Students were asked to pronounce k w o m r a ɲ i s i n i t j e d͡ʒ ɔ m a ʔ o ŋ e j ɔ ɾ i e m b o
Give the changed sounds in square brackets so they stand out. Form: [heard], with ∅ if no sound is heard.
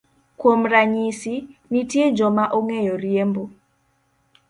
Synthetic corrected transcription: k w o m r a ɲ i s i n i t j e d͡ʒ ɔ m a ʔ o ŋ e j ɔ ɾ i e m b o